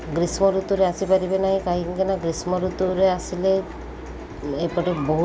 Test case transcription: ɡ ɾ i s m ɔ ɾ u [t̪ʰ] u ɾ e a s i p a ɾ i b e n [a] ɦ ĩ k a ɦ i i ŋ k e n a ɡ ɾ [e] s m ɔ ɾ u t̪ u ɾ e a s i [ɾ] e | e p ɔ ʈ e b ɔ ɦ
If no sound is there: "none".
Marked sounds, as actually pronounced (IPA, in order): t̪, a, i, l

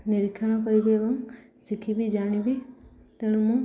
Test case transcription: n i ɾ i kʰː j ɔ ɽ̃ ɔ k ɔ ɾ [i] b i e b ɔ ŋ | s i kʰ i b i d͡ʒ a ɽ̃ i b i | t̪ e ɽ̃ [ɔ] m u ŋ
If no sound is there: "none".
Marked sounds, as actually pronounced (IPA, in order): i, u

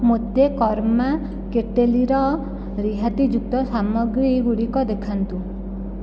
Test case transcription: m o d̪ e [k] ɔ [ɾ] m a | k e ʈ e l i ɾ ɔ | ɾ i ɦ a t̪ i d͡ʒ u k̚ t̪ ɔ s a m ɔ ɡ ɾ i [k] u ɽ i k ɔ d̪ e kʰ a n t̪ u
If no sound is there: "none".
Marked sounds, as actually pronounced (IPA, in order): k, ɾ, ɡ

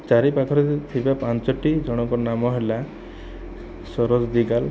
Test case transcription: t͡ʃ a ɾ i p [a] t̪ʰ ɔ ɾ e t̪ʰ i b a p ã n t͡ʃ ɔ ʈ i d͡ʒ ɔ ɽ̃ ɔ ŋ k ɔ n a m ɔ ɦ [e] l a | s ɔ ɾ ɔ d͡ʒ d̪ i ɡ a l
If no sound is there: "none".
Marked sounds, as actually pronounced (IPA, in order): a, e

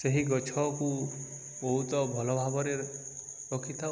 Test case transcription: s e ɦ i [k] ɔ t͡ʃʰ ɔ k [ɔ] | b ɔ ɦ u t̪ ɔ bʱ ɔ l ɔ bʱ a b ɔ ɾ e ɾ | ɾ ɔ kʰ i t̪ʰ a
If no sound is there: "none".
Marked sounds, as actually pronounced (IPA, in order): ɡ, u

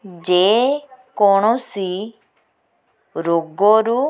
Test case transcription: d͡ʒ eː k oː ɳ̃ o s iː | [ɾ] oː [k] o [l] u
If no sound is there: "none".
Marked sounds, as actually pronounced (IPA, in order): ɾ, ɡ, ɾ

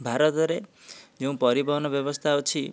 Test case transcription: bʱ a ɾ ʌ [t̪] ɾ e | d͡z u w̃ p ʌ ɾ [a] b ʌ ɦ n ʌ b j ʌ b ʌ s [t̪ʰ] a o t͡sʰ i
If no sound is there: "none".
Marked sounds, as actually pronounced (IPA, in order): t̪, i, t̪ʰ

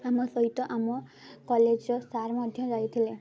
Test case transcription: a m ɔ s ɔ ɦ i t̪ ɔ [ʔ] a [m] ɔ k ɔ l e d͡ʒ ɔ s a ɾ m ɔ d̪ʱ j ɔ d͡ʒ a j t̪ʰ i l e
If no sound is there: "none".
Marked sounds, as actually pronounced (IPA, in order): ʔ, m

